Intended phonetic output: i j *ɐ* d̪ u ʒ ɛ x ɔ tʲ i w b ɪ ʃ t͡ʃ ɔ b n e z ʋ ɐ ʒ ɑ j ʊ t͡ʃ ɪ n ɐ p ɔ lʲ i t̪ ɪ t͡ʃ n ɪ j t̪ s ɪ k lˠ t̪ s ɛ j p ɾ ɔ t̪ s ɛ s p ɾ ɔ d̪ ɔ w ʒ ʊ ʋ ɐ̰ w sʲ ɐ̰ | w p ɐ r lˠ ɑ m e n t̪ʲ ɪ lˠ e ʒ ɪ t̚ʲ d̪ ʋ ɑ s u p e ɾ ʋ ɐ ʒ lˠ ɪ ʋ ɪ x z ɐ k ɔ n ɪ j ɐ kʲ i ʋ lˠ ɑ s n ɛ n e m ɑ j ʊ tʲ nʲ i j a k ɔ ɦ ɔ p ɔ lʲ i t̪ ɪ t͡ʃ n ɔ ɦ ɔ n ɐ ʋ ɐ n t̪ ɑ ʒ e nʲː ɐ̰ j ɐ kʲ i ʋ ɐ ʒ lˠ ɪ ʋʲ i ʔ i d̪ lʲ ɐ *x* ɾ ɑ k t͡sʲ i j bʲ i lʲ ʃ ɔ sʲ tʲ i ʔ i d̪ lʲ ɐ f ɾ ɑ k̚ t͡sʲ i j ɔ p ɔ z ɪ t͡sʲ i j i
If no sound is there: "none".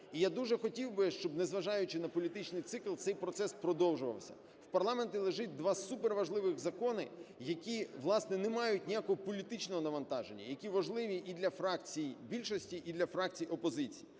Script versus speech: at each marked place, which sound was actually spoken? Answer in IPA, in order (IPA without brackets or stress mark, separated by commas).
a, f